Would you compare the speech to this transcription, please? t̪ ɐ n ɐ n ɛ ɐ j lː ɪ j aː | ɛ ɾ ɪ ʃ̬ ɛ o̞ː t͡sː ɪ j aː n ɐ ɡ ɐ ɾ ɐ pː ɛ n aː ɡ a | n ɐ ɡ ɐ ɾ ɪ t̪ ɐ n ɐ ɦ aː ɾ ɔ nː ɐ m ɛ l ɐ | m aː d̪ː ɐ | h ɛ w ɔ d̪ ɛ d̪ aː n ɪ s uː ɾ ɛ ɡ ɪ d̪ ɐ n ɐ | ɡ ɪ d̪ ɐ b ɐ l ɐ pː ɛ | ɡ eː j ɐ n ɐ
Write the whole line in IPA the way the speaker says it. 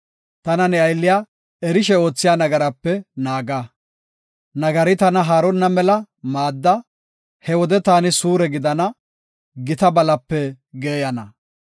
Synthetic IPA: t̪ ɐ n ɐ n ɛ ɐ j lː ɪ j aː | ɛ ɾ ɪ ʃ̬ ɛ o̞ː t͡sː ɪ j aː n ɐ ɡ ɐ ɾ ɐ pː ɛ n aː ɡ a | n ɐ ɡ ɐ ɾ ɪ t̪ ɐ n ɐ ɦ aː ɾ ɔ nː ɐ m ɛ l ɐ | m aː d̪ː ɐ | h ɛ w ɔ d̪ ɛ t̪ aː n ɪ s uː ɾ ɛ ɡ ɪ d̪ ɐ n ɐ | ɡ ɪ t̪ ɐ b ɐ l ɐ pː ɛ | ɡ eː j ɐ n ɐ

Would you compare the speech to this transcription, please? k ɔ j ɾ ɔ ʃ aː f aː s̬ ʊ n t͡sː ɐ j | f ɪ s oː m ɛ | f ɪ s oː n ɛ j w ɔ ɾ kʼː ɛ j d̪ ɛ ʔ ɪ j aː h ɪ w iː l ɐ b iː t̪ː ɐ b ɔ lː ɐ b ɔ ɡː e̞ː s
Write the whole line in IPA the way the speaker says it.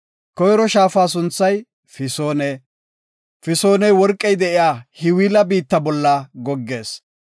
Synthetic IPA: k ɔ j ɾ ɔ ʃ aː f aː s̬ ʊ n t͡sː ɐ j | f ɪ s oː n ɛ | f ɪ s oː n ɛ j w ɔ ɾ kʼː ɛ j d̪ ɛ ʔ ɪ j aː h ɪ w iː l ɐ b iː t̪ː ɐ b ɔ lː ɐ ɡ ɔ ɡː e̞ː s

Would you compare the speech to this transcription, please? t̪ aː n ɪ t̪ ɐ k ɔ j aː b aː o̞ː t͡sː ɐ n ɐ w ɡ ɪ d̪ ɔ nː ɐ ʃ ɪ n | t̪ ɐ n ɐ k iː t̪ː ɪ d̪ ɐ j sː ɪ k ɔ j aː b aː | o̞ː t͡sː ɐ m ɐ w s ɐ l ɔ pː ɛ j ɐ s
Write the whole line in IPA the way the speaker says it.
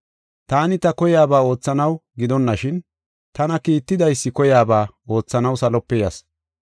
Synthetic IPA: t̪ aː n ɪ t̪ ɐ k ɔ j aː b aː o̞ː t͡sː ɐ n ɐ w ɡ ɪ d̪ ɔ nː ɐ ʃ ɪ n | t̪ ɐ n ɐ k iː t̪ː ɪ d̪ ɐ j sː ɪ k ɔ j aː b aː | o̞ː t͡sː ɐ n ɐ w s ɐ l ɔ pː ɛ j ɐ s

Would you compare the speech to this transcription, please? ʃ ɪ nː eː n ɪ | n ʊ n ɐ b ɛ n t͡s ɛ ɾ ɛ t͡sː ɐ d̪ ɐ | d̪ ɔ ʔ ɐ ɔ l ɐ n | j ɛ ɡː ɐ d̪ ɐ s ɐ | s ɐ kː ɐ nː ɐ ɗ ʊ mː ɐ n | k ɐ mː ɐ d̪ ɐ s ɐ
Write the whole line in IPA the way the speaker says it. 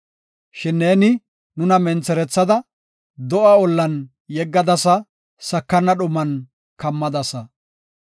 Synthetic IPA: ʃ ɪ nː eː n ɪ | n ʊ n ɐ m ɛ n t͡s ɛ ɾ ɛ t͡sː ɐ d̪ ɐ | d̪ ɔ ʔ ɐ ɔ lː ɐ n | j ɛ ɡː ɐ d̪ ɐ s ɐ | s ɐ kː ɐ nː ɐ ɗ ʊ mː ɐ n | k ɐ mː ɐ d̪ ɐ s ɐ

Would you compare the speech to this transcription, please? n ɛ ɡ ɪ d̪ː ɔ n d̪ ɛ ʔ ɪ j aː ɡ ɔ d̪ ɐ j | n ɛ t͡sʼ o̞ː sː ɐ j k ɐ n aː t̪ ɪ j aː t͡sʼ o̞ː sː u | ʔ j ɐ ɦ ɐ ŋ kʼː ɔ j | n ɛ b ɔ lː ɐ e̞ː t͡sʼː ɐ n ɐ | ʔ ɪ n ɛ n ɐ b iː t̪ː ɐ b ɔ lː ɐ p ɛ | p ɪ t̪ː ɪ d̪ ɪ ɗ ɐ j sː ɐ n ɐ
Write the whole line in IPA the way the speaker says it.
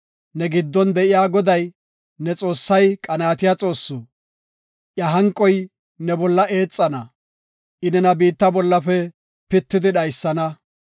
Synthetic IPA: n ɛ ɡ ɪ d̪ː ɔ n d̪ ɛ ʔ ɪ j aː ɡ ɔ d̪ ɐ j | n ɛ t͡sʼ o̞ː sː ɐ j kʼ ɐ n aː t̪ ɪ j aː t͡sʼ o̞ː sː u | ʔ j ɐ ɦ ɐ ŋ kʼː ɔ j | n ɛ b ɔ lː ɐ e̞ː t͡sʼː ɐ n ɐ | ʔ ɪ n ɛ n ɐ b iː t̪ː ɐ b ɔ lː ɐ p ɛ | p ɪ t̪ː ɪ d̪ ɪ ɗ ɐ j sː ɐ n ɐ

